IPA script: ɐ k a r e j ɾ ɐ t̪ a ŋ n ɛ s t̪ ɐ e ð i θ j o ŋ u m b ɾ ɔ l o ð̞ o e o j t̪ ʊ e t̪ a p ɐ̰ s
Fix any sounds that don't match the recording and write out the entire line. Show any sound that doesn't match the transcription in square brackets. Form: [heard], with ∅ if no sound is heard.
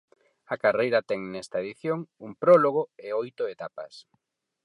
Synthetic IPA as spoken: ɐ k a r e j ɾ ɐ t̪ [ɛ] ŋ n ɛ s t̪ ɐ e ð i θ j o ŋ u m [p] ɾ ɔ l o [ɣ̞] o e o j t̪ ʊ e t̪ a p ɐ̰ s